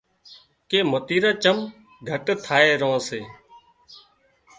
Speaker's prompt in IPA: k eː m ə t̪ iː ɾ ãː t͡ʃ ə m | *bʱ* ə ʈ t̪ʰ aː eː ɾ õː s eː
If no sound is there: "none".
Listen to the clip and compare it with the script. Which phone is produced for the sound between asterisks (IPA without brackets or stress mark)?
ɡʱ